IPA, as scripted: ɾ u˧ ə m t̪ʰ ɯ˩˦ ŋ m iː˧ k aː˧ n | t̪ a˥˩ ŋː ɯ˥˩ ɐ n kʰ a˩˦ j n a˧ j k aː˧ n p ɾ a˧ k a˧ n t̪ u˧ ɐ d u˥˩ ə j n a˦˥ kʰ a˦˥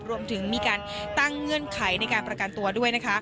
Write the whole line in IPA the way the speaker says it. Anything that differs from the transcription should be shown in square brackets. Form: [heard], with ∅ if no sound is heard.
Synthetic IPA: ɾ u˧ ə m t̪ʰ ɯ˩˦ ŋ m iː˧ k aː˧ n | t̪ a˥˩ ŋː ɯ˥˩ [ə] n kʰ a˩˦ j n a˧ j k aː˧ n p ɾ a˧ k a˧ n t̪ u˧ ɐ d u˥˩ ə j n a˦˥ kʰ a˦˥